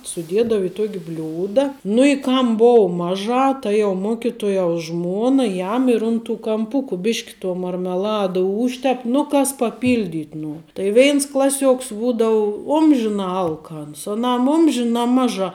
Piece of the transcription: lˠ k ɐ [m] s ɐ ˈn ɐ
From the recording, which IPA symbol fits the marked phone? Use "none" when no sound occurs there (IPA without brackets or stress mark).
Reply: n